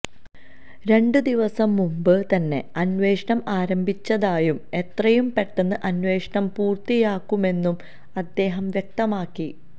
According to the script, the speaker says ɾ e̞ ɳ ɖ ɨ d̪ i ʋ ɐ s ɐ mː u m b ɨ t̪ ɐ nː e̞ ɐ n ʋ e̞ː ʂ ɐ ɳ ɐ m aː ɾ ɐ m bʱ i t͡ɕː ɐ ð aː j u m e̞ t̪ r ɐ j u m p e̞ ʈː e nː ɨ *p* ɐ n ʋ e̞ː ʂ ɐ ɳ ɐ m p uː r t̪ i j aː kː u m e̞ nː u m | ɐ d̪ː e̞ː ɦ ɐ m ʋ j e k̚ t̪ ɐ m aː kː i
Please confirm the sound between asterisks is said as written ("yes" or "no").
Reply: no